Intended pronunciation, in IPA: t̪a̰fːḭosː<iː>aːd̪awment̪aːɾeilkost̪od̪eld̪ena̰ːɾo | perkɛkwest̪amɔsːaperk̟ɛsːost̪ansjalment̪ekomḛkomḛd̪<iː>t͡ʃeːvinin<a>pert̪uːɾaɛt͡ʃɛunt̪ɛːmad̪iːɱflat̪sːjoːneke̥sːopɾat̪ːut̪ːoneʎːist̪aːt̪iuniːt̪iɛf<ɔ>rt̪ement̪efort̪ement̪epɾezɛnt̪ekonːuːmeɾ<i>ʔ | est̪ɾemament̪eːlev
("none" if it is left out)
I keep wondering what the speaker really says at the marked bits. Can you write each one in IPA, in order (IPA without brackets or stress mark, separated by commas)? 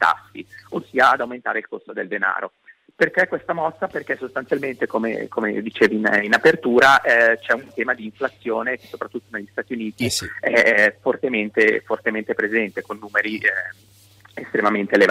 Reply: iː, i, a, o, i